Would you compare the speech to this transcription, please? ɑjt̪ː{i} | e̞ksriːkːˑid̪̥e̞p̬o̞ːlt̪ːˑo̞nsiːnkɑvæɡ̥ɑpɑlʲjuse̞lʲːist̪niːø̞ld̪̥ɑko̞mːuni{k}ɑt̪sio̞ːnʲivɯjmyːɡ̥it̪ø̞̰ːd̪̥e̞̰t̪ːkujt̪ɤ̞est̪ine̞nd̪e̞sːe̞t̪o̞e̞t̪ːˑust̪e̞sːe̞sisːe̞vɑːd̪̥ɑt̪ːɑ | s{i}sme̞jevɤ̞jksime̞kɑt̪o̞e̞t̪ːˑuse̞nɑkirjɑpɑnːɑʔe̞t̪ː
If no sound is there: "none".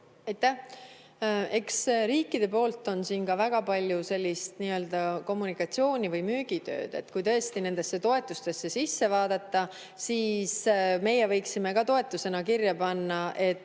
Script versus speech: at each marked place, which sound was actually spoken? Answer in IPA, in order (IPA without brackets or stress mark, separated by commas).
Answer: æ, k, iː